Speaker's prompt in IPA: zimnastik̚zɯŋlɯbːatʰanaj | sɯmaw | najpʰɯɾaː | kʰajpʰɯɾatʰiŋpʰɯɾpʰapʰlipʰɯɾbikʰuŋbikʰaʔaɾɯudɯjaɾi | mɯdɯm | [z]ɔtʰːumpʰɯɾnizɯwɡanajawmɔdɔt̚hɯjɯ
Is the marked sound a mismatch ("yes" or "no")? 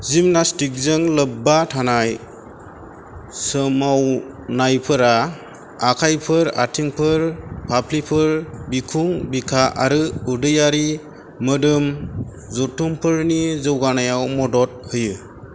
no